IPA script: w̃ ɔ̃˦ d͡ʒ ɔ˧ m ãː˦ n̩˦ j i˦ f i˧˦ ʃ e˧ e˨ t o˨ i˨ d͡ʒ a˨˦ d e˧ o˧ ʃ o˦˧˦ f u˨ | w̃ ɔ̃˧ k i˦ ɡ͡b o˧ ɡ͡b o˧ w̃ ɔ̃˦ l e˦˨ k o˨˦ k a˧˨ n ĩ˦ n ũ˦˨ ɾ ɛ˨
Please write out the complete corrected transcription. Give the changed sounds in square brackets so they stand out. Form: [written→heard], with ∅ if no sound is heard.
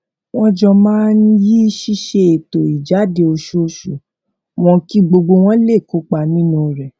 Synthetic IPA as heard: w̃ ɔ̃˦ d͡ʒ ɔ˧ m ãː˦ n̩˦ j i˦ [f→ʃ] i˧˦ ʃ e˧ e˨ t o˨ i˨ d͡ʒ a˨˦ d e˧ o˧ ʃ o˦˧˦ [f→ʃ] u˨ | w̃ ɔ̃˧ k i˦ ɡ͡b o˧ ɡ͡b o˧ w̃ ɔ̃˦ l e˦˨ k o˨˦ [k→k͡p] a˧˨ n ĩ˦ n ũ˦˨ ɾ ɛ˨

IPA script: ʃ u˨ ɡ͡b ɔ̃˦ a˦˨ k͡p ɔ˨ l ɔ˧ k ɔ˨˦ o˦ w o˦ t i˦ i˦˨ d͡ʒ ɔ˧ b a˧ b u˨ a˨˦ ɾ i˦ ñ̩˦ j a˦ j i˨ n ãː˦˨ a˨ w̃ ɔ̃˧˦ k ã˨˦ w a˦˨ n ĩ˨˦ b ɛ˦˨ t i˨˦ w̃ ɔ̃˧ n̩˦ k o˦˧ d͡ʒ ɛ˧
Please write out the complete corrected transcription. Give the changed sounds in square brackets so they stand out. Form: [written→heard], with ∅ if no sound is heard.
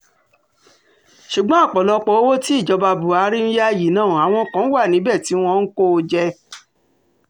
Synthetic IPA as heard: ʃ u˨ ɡ͡b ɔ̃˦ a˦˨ k͡p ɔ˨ l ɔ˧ [k→k͡p] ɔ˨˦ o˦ w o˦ t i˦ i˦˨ d͡ʒ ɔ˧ b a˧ b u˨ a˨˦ ɾ i˦ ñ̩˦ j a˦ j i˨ n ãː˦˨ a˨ w̃ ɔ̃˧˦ k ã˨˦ w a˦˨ n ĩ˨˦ b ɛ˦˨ t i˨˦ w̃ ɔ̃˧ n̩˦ k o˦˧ d͡ʒ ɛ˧

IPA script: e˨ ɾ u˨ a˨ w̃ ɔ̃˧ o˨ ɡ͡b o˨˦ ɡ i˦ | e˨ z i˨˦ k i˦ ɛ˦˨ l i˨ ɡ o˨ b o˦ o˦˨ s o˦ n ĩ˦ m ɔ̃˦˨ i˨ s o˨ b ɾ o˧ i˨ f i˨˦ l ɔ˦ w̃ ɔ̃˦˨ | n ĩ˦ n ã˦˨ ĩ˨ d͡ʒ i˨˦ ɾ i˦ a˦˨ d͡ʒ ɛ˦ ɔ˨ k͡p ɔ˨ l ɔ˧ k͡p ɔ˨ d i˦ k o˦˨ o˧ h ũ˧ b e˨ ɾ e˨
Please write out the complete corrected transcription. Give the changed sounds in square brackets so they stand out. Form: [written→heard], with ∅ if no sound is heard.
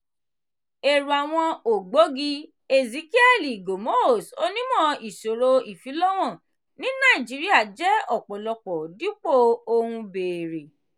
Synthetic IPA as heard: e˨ ɾ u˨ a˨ w̃ ɔ̃˧ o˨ ɡ͡b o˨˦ ɡ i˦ | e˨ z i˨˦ k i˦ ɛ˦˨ l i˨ ɡ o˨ [b→m] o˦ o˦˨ s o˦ n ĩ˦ m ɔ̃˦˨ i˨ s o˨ [b→∅] ɾ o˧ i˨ f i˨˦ l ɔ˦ w̃ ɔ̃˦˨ | n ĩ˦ n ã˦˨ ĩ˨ d͡ʒ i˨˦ ɾ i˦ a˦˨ d͡ʒ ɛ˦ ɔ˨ k͡p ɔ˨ l ɔ˧ k͡p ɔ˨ d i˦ [k→k͡p] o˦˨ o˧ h ũ˧ b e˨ ɾ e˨

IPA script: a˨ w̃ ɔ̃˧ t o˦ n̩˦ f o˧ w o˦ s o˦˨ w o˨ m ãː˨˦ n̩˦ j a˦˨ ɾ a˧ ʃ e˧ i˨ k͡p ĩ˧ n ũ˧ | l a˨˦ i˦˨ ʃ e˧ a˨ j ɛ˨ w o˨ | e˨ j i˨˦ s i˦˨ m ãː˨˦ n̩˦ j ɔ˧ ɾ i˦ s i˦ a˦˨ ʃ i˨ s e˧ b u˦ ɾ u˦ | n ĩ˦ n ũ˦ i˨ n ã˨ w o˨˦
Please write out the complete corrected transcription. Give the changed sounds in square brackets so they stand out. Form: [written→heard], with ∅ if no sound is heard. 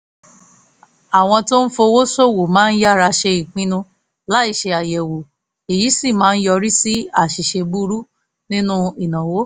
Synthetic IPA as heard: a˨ w̃ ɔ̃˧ t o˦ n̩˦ f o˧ w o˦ s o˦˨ w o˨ m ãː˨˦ n̩˦ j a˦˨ ɾ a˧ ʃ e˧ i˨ k͡p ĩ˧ n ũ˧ | l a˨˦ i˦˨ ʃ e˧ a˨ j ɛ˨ w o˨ | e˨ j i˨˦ s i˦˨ m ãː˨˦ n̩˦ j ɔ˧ ɾ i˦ s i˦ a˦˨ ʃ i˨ [s→ʃ] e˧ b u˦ ɾ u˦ | n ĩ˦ n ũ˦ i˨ n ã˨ w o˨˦

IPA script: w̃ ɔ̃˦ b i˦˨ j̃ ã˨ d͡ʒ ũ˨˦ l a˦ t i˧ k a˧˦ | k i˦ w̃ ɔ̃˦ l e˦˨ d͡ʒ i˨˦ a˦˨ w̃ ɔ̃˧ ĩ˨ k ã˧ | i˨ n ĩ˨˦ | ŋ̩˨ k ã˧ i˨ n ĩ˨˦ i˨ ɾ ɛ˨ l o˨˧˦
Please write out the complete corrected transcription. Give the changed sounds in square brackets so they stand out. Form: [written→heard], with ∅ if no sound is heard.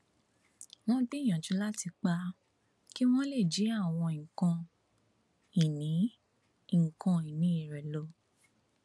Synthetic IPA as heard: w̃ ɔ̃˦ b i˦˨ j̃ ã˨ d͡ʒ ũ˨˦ l a˦ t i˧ [k→k͡p] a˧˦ | k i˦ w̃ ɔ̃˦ l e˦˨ d͡ʒ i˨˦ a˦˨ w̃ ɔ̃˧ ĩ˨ k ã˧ | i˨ n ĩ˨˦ | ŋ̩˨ k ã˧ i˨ n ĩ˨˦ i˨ ɾ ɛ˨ l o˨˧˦

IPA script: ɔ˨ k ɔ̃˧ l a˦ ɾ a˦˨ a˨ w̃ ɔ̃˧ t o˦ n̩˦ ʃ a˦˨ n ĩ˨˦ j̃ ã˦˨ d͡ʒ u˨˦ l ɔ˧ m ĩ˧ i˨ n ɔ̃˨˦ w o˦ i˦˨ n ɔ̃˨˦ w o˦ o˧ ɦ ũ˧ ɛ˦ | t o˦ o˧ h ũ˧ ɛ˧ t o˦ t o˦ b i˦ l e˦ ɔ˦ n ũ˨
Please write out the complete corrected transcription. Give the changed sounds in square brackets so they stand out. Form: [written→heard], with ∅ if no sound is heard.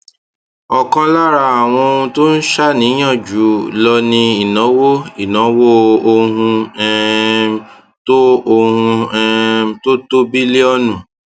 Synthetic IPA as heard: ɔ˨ k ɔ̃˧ l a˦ ɾ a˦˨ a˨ w̃ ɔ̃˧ t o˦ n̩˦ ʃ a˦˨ n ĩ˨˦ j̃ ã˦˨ d͡ʒ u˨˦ l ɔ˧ [m→n] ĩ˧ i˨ n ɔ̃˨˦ w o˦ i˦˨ n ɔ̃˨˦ w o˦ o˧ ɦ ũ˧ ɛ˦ | t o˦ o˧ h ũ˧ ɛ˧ t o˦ t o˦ b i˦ l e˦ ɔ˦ n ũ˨

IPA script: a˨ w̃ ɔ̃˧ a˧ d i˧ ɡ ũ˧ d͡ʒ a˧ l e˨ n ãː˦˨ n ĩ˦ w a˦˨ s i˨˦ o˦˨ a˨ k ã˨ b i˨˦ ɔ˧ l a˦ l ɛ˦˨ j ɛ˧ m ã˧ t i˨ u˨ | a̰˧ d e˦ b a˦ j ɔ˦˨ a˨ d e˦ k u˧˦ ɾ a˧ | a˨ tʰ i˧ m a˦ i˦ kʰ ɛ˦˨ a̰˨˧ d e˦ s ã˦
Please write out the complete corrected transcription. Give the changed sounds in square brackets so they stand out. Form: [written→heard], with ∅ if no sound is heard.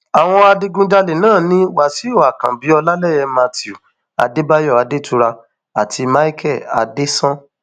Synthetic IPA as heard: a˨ w̃ ɔ̃˧ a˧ d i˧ ɡ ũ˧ d͡ʒ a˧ l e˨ n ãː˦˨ n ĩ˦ w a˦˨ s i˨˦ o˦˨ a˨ k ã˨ b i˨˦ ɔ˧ l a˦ l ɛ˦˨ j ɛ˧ m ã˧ t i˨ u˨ | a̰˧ d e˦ b a˦ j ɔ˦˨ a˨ d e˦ [k→t] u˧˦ ɾ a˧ | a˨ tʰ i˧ m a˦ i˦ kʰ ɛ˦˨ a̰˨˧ d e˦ s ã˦

